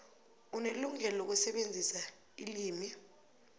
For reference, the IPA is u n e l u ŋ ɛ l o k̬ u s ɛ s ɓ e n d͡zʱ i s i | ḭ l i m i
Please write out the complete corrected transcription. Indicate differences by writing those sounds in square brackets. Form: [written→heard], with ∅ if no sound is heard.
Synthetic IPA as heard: u n e l u ŋ ɛ l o k̬ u s ɛ [s→∅] ɓ e n d͡zʱ i s [i→a] | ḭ l [i→iː] m i

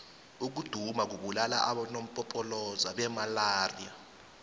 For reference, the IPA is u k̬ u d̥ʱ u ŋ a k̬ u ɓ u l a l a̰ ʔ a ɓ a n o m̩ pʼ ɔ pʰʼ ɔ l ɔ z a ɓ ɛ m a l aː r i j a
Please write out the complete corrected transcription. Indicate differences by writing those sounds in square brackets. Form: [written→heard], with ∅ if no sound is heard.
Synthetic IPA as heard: u k̬ u d̥ʱ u [ŋ→m] a k̬ u ɓ u l a l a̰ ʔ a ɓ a n o m̩ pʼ ɔ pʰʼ ɔ l ɔ z a ɓ ɛ m a l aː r i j a

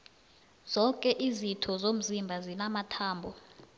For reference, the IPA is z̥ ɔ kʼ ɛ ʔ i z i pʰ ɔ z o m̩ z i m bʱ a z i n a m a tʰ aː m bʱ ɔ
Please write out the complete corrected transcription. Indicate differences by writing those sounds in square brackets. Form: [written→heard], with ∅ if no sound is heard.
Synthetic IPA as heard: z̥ ɔ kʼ ɛ ʔ i z i [pʰ→tʰ] ɔ z o m̩ z i m bʱ a z i n a m a tʰ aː m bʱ ɔ

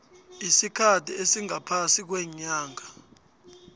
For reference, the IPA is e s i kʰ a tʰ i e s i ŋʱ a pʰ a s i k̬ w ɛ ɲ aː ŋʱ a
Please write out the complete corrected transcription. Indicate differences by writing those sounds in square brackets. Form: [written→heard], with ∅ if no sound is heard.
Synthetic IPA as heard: [e→i] s i kʰ a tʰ i e s i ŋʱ a pʰ a s i k̬ w ɛ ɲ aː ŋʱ a

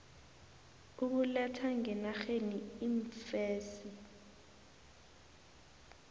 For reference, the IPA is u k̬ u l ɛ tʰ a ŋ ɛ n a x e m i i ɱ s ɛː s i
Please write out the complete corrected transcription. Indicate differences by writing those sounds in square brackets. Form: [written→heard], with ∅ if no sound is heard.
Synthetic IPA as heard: u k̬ u l ɛ tʰ a ŋ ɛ n a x e [m→n] i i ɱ [s→f] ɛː s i

